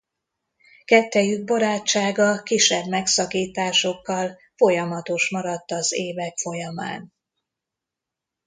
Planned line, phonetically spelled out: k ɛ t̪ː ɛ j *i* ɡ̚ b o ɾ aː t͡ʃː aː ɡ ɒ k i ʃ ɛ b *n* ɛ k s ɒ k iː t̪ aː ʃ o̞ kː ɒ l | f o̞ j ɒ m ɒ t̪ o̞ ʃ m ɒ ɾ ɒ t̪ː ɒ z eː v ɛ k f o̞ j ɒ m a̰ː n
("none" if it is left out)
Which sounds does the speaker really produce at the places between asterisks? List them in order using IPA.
y, m

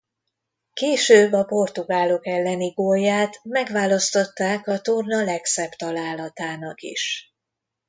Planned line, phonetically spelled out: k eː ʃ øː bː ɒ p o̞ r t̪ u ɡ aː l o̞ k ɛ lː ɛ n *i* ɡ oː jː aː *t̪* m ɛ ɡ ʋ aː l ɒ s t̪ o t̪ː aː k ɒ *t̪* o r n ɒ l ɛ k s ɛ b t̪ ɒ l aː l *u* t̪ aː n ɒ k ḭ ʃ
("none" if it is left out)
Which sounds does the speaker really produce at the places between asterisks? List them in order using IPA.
i, t̪, t̪, ɒ

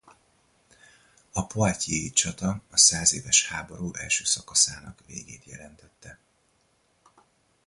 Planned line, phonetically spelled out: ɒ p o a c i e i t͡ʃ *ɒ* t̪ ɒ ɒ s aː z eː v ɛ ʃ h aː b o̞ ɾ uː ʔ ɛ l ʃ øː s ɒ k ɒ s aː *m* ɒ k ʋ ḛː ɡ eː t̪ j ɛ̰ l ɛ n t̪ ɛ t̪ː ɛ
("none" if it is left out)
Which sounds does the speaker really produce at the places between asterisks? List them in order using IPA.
ɒ, n

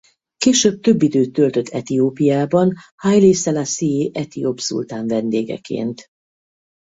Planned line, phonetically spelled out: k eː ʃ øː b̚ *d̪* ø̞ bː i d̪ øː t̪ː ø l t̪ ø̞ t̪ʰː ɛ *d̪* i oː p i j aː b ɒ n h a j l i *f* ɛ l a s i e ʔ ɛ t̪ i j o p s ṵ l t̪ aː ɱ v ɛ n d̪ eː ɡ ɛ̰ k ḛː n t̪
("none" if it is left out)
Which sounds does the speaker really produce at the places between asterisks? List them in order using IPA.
t̪, t̪, s

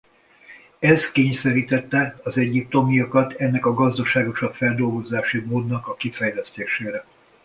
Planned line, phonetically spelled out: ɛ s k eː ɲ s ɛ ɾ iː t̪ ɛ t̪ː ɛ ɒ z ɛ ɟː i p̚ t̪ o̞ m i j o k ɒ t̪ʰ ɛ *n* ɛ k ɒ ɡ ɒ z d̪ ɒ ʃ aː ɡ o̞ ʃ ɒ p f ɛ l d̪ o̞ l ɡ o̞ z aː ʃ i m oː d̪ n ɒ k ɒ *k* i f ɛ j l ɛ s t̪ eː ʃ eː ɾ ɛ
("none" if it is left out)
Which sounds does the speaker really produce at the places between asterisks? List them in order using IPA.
nː, k

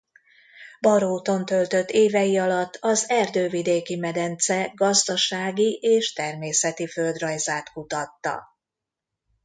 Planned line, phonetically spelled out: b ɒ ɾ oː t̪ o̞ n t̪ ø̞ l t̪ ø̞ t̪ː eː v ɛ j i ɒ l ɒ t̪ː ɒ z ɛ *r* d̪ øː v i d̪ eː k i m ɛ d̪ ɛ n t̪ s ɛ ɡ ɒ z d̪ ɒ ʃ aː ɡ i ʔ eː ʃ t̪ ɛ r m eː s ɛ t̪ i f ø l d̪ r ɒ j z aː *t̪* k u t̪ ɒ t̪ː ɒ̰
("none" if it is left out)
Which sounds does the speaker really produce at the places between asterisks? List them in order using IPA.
r, t̪

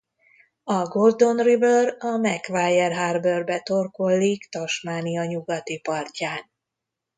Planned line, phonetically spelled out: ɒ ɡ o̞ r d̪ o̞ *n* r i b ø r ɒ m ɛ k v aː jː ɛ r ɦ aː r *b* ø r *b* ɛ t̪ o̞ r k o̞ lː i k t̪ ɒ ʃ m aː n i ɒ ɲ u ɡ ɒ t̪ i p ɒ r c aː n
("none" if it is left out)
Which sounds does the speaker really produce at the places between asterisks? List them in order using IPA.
n, b, b

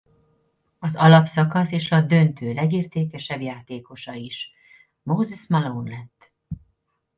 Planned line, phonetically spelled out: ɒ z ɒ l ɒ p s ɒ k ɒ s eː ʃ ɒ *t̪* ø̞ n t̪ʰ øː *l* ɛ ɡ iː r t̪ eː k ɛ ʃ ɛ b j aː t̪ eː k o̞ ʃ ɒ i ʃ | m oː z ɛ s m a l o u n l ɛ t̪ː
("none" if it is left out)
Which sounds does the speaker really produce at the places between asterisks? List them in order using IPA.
d̪, l

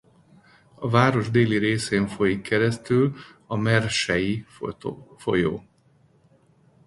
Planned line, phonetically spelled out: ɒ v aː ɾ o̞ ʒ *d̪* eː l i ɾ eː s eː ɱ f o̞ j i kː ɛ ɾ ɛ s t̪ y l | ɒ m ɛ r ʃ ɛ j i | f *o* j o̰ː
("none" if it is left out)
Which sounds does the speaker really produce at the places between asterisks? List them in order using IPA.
d̪, o

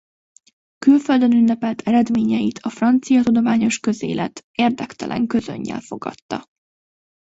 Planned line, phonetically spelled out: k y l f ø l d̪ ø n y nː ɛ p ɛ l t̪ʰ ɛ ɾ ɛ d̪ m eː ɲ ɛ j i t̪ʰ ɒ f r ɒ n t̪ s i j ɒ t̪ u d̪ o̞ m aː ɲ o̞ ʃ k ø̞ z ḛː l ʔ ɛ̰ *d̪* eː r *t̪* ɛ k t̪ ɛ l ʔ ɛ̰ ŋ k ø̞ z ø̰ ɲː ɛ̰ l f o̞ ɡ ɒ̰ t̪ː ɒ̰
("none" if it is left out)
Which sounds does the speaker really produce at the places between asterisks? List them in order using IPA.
t̪, d̪

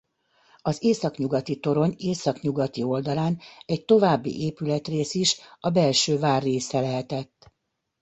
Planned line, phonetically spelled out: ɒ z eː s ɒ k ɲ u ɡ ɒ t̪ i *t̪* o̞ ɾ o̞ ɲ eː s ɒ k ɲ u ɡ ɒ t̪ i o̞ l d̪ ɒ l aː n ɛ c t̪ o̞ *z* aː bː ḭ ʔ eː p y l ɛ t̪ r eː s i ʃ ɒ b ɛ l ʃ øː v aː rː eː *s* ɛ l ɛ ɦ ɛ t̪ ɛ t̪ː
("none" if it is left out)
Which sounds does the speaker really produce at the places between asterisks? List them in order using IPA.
t̪, v, s

